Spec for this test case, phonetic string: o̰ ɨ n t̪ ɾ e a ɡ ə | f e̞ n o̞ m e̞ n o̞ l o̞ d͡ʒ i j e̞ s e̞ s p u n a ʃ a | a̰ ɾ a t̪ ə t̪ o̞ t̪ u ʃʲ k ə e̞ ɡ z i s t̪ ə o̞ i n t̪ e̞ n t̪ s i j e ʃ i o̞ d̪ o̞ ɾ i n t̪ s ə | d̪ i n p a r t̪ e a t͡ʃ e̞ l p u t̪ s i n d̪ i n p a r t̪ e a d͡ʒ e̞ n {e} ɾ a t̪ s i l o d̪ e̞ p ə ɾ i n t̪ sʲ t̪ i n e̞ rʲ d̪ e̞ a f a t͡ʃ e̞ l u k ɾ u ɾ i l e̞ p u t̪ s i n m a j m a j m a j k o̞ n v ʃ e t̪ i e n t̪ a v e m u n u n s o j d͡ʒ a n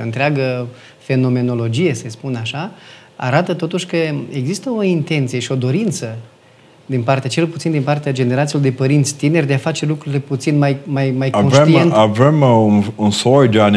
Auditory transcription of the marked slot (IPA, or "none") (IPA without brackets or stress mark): e